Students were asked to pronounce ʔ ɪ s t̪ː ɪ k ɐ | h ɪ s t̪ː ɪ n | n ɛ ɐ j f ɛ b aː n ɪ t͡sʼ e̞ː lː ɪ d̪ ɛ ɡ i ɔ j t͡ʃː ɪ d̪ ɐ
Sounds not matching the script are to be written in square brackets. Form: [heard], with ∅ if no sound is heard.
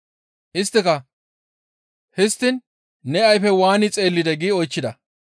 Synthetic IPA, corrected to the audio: ʔ ɪ s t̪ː ɪ k ɐ | h ɪ s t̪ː ɪ n | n ɛ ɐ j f ɛ [w] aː n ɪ t͡sʼ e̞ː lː ɪ d̪ ɛ ɡ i ɔ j t͡ʃː ɪ d̪ ɐ